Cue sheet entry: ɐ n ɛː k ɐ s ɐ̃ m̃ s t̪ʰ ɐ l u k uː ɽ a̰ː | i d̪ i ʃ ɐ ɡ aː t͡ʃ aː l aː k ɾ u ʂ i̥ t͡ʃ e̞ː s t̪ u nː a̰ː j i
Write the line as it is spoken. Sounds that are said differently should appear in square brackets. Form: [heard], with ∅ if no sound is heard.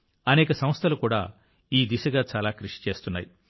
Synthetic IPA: ɐ n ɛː k ɐ s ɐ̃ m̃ s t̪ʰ ɐ l u k uː ɽ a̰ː | [iː] d̪ i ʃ ɐ ɡ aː t͡ʃ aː l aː k ɾ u ʂ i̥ t͡ʃ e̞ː s t̪ u nː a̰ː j i